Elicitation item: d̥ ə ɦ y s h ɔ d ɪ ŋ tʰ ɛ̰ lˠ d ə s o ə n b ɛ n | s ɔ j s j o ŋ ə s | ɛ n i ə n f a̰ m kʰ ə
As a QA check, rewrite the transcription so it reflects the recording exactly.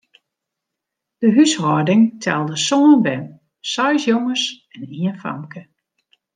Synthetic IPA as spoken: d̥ ə ɦ y s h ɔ d ɪ ŋ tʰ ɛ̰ lˠ d ə s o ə n b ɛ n | s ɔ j s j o ŋ ə s | ɛ n i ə n f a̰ m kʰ ə